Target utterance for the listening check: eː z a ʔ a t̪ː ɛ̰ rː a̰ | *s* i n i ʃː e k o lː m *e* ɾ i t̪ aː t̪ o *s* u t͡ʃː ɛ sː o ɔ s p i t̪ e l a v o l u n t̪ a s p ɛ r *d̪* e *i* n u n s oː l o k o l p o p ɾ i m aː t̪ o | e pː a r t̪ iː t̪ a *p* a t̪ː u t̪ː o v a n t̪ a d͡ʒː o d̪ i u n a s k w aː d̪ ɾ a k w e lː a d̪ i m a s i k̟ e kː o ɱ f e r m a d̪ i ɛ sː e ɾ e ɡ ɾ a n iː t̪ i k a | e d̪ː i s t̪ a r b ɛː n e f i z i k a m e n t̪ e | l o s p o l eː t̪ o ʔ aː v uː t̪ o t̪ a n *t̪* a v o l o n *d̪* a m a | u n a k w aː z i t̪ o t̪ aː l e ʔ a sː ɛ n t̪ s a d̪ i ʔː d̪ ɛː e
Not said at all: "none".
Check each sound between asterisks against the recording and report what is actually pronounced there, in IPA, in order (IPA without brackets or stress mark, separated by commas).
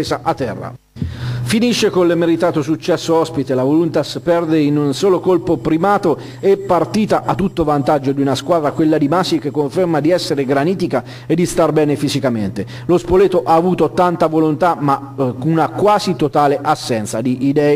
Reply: f, e, s, d̪, i, ʔ, t̪, t̪